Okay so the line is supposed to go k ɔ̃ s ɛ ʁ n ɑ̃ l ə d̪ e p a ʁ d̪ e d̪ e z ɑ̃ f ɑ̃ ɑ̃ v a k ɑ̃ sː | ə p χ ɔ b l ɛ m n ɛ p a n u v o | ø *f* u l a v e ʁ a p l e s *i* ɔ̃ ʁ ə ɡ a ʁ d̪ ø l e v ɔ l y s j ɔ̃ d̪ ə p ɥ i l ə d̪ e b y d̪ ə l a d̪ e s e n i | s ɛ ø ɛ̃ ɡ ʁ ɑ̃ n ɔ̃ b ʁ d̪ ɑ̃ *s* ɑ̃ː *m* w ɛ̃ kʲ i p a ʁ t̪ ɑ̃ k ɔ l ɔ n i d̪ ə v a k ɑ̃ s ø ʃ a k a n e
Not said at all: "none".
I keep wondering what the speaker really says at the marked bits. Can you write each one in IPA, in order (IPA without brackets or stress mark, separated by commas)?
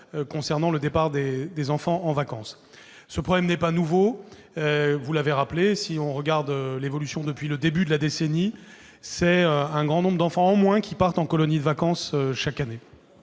v, i, f, m